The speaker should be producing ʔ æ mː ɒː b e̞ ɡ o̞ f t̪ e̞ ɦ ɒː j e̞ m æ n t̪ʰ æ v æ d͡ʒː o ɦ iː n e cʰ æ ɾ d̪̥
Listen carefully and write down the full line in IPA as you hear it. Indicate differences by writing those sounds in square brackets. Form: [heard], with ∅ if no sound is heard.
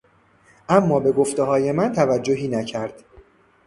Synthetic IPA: ʔ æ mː ɒː b e̞ ɡ o̞ f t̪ e̞ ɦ ɒː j e̞ m æ n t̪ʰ æ v æ d͡ʒː o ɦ iː n [æ] cʰ æ ɾ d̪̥